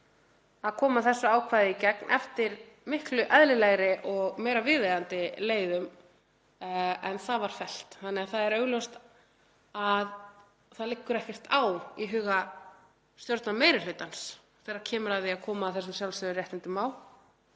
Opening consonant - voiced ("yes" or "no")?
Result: yes